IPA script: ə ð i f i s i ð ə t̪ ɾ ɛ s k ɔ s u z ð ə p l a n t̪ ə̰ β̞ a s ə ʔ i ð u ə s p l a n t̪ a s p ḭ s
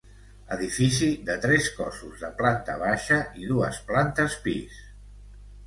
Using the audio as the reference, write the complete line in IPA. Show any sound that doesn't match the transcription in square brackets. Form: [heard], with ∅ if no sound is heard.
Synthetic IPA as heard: ə ð i f i s i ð ə t̪ ɾ ɛ s k ɔ s u z ð ə p l a n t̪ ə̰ β̞ a [ʃ] ə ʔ i ð u ə s p l a n t̪ [ə] s p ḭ s